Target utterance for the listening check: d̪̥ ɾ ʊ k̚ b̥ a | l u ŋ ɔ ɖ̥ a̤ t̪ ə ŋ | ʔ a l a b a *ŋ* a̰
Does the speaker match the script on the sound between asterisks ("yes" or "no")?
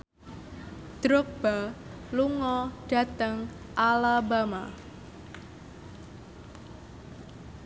no